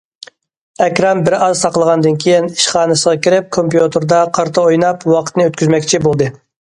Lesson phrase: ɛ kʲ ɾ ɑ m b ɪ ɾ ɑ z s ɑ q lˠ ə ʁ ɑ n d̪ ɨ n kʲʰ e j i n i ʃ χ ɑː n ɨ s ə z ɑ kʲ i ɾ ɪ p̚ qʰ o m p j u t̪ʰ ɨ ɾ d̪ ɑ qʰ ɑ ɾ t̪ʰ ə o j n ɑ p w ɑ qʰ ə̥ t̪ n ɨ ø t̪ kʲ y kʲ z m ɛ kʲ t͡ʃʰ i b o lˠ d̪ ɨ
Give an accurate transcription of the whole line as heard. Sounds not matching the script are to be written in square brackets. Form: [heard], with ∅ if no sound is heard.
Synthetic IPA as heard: ɛ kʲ ɾ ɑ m b ɪ ɾ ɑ z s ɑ q lˠ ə ʁ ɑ n d̪ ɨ n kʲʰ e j i n i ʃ χ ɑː n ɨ s ə [ʁ] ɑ kʲ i ɾ ɪ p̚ [kʰ] o m p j u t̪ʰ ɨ ɾ d̪ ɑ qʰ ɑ ɾ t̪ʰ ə o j n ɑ p w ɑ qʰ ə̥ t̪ n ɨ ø t̪ kʲ y [∅] z m ɛ kʲ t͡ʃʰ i b o lˠ d̪ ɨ